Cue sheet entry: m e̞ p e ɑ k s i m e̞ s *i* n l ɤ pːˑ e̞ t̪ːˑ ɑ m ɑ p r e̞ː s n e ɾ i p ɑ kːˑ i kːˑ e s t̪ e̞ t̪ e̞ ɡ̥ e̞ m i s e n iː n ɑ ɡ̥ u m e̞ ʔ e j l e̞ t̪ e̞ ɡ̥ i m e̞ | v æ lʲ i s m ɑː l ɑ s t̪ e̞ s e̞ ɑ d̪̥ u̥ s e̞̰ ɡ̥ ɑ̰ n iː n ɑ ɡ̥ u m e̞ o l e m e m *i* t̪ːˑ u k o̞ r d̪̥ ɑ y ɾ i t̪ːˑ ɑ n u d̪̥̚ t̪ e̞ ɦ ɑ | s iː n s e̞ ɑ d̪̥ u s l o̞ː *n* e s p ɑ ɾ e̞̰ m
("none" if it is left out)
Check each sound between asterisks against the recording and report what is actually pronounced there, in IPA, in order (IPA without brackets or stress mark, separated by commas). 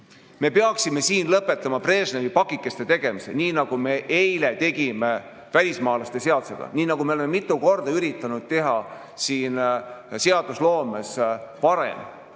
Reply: iː, i, m